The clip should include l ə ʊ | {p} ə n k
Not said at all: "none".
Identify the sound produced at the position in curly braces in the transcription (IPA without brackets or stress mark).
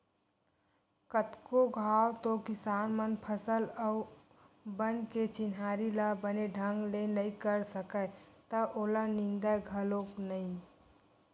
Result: b